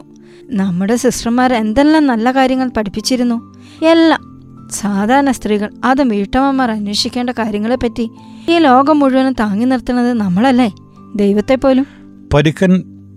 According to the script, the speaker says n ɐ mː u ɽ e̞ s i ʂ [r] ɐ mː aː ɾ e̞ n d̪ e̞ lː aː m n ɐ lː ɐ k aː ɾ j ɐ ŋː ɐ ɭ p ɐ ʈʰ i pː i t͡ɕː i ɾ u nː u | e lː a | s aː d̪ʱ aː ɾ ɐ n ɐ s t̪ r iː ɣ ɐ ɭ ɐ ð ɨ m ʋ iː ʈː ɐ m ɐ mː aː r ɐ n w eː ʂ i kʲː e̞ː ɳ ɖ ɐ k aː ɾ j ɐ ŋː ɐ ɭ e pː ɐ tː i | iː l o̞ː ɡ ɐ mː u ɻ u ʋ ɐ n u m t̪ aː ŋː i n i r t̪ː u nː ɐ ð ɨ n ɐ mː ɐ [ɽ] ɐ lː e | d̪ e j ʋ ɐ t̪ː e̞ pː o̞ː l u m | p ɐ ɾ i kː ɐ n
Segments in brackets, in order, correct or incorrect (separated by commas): correct, incorrect